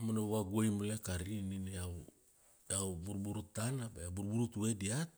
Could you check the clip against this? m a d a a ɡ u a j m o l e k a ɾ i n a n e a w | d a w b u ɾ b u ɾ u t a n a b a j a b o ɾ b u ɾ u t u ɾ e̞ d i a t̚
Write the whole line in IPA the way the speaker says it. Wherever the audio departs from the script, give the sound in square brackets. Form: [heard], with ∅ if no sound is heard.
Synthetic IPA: m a [n] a a ɡ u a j m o l e k a ɾ i n [i] n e a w | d a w b u ɾ b u ɾ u t a n a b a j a b [u] ɾ b u ɾ u t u [∅] e̞ d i a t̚